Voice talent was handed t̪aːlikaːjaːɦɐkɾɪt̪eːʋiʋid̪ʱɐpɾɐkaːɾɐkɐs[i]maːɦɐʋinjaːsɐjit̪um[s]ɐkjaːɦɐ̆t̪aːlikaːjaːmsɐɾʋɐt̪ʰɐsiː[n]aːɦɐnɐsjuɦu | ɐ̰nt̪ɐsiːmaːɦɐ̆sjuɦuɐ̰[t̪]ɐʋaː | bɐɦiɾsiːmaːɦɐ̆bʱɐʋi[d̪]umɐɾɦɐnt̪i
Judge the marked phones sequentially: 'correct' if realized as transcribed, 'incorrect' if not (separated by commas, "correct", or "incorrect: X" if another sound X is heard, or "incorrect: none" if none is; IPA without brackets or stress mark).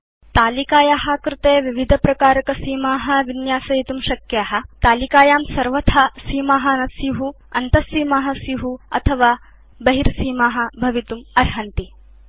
incorrect: iː, incorrect: ʃ, incorrect: m, incorrect: t̪ʰ, incorrect: t̪